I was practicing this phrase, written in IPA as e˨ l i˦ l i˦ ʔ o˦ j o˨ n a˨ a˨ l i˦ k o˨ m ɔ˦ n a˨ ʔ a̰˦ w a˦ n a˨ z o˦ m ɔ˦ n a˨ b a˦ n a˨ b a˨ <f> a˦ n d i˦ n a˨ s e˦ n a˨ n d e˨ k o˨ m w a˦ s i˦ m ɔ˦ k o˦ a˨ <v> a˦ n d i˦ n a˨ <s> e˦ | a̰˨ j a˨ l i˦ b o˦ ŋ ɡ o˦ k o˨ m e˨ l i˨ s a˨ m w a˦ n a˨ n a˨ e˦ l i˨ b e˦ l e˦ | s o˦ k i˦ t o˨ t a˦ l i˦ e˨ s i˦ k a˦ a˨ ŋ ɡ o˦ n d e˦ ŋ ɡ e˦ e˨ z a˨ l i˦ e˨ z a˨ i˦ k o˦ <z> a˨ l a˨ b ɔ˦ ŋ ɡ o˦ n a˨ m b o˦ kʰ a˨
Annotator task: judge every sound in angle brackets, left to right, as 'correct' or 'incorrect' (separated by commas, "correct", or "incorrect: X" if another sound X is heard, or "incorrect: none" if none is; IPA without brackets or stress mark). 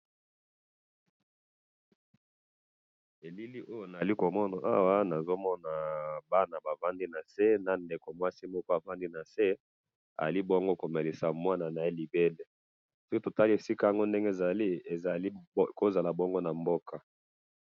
incorrect: v, correct, correct, correct